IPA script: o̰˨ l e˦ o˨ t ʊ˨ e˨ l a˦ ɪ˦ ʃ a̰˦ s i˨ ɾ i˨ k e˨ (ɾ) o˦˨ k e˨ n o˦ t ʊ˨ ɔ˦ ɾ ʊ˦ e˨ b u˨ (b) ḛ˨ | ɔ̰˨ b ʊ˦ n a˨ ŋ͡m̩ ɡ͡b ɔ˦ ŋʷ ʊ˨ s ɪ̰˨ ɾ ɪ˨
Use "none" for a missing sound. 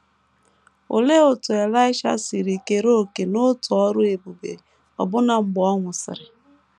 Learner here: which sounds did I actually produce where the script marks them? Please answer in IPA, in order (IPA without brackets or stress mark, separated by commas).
ɾ, b